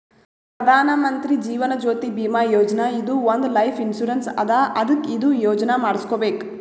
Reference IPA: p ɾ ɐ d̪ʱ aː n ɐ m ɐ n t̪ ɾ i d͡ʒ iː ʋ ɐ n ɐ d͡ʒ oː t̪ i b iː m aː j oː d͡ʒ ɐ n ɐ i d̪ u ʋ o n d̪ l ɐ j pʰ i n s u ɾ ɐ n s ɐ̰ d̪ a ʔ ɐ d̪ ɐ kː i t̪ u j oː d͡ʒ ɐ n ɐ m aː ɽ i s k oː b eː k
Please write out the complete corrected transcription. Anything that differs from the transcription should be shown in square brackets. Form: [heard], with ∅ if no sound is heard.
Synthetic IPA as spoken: p ɾ ɐ d̪ʱ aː n ɐ m ɐ n t̪ ɾ i d͡ʒ iː ʋ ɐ n ɐ d͡ʒ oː t̪ i b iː m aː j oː d͡ʒ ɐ n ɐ i d̪ u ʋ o n d̪ l ɐ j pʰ i n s u ɾ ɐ n s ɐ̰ d̪ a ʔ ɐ d̪ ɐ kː i [d̪] u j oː d͡ʒ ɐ n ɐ m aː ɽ i s k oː b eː k